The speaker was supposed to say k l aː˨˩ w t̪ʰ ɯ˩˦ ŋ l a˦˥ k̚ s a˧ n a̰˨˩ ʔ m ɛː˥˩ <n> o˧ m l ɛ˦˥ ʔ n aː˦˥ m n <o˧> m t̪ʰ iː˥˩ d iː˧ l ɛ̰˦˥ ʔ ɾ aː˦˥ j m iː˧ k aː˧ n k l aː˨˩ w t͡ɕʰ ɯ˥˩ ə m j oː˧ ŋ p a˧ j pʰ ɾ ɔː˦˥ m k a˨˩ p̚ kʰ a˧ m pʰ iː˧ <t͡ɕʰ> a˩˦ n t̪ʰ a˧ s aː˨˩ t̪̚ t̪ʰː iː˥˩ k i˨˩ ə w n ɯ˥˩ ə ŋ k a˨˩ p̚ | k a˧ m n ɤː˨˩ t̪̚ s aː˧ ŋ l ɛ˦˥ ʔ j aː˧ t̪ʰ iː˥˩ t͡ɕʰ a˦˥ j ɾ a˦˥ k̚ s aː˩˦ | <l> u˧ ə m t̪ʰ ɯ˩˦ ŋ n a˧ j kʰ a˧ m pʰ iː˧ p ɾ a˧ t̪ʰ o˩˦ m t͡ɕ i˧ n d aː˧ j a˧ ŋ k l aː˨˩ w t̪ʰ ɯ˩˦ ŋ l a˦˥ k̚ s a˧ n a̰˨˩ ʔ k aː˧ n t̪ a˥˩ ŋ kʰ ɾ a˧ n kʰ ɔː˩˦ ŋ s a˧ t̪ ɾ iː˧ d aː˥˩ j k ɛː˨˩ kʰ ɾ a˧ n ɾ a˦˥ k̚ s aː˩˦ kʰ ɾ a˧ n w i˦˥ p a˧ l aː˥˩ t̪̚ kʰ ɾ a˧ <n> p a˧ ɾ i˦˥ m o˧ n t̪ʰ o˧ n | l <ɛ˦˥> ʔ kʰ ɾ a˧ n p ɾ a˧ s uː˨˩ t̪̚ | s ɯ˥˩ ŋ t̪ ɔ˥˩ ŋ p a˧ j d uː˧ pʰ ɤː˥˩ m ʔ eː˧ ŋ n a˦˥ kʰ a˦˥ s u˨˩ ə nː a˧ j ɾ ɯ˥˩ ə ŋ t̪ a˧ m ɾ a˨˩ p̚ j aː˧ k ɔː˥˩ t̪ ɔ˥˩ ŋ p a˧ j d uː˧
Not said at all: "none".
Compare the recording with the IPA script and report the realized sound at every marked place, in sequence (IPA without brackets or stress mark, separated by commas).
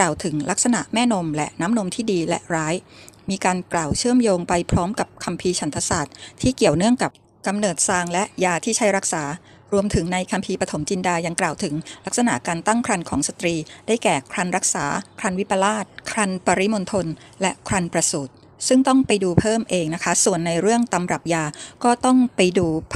n, o˧, t͡ɕʰ, ɾ, n, ɛ˦˥